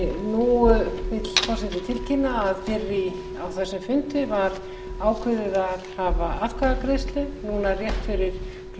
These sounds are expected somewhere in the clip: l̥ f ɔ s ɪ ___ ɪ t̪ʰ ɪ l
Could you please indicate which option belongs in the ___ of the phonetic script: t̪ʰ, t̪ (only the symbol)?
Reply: t̪